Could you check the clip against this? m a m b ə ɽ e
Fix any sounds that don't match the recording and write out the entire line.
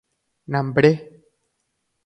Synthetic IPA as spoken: n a m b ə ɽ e